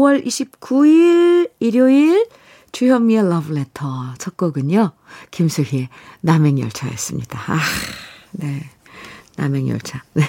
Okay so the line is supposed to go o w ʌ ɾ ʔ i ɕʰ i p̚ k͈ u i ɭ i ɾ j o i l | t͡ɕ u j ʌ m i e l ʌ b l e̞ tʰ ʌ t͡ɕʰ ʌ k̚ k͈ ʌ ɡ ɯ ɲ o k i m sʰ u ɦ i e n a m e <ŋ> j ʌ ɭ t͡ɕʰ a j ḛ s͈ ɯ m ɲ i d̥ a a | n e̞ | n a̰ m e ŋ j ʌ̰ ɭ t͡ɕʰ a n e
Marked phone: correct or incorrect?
correct